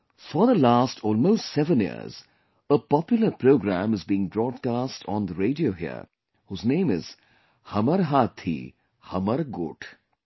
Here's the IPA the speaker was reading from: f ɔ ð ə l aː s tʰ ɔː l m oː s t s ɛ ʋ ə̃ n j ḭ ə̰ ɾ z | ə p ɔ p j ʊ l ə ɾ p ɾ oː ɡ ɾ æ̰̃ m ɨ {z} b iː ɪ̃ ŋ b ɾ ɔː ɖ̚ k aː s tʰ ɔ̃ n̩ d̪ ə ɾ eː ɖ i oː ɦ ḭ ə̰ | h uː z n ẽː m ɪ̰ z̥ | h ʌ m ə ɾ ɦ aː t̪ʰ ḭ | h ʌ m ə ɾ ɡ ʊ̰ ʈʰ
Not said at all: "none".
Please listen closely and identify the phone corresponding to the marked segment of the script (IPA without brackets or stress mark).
z